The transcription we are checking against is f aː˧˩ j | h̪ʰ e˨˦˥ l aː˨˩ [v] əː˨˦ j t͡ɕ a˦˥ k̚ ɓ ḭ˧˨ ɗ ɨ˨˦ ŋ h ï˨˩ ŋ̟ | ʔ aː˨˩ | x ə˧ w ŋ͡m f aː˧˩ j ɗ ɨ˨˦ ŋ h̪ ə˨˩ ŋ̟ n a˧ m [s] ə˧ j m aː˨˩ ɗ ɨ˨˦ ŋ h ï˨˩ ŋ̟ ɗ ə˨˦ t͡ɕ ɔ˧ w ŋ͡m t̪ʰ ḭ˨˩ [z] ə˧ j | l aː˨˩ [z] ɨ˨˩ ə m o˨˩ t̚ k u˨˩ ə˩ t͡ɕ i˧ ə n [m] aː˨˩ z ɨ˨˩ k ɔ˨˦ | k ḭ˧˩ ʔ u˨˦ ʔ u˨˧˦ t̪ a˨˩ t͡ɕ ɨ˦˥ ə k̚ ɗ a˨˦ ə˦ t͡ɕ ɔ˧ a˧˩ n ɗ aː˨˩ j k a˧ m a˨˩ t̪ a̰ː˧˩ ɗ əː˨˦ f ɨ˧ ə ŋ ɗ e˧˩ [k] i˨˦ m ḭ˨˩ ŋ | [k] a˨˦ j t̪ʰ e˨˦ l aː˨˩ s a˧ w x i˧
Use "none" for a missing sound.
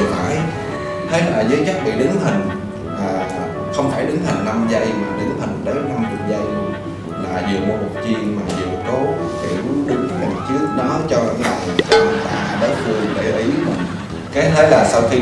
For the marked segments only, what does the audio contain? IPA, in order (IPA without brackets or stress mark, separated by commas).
z, z, z, z, m, ʔ, k